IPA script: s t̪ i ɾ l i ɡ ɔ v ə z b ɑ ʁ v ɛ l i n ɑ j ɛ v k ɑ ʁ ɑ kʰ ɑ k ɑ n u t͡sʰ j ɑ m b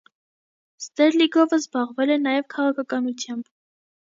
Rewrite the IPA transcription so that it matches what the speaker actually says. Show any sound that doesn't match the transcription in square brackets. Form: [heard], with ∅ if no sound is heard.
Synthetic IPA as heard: s t̪ [ɛ] ɾ l i ɡ ɔ v ə z b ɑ ʁ v ɛ l [ɛ] n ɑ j ɛ v [kʰ] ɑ ʁ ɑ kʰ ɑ k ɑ n u t͡sʰ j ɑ m b